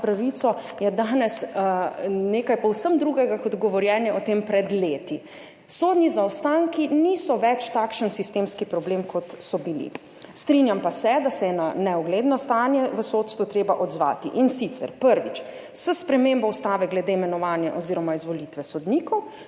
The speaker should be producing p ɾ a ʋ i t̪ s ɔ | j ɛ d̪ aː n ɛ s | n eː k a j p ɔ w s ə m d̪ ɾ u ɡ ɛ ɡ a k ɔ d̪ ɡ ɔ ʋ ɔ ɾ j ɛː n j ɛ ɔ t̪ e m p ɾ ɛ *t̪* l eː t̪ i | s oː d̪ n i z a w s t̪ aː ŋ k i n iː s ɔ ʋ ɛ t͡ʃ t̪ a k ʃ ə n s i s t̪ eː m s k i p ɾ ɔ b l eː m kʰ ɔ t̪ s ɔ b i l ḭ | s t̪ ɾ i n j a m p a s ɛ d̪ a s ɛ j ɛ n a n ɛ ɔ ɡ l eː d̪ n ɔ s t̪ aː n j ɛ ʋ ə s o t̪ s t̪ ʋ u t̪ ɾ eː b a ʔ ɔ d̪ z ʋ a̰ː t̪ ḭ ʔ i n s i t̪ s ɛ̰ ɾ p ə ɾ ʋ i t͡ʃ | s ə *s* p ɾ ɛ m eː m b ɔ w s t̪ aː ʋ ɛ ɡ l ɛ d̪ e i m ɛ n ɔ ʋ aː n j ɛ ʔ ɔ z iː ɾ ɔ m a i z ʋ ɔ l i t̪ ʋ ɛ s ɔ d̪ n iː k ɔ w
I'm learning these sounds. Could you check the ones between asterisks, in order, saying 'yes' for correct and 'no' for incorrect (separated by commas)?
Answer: no, yes